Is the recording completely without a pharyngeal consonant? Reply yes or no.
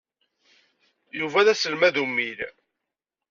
yes